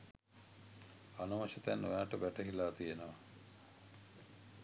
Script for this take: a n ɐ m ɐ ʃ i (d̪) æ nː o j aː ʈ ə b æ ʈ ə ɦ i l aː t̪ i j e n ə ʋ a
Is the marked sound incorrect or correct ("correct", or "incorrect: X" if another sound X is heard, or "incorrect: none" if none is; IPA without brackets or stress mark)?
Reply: incorrect: t̪